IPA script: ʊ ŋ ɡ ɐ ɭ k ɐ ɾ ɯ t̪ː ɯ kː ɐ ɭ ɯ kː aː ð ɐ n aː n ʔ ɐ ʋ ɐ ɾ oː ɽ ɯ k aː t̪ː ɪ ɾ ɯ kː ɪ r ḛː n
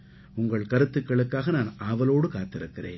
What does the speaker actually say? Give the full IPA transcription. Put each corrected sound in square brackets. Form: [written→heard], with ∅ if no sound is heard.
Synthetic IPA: ʊ ŋ ɡ ɐ ɭ k ɐ ɾ ɯ t̪ː ɯ kː ɐ ɭ ɯ kː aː [ð→ɣ] ɐ n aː n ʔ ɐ ʋ ɐ [ɾ→l] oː ɽ ɯ k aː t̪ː ɪ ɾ ɯ kː ɪ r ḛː n